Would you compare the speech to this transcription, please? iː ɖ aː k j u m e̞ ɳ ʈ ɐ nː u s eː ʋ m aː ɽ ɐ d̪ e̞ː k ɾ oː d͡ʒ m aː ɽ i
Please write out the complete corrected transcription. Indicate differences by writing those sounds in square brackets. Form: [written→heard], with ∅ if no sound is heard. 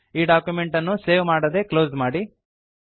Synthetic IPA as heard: iː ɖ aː k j u m e̞ ɳ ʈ ɐ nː u s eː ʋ m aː ɽ ɐ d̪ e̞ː k [ɾ→l] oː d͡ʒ m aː ɽ i